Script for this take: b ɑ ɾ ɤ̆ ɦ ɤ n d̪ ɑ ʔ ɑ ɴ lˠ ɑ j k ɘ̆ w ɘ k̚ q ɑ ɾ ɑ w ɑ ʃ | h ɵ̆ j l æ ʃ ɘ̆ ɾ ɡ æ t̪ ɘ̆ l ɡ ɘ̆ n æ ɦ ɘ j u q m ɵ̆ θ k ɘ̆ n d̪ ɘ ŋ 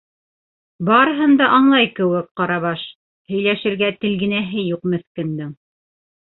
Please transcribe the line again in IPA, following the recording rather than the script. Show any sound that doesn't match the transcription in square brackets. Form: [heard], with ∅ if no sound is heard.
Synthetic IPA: b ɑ ɾ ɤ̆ ɦ ɤ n d̪ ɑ ʔ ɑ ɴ lˠ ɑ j k ɘ̆ w ɘ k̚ q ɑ ɾ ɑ [β] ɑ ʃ | h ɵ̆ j l æ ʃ ɘ̆ ɾ ɡ æ t̪ ɘ̆ l ɡ ɘ̆ n æ ɦ ɘ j u q m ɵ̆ θ k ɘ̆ n d̪ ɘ ŋ